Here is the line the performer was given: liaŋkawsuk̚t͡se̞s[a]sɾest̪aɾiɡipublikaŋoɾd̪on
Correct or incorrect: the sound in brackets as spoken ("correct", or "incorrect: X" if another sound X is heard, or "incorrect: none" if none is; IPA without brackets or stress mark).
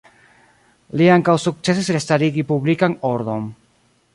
incorrect: i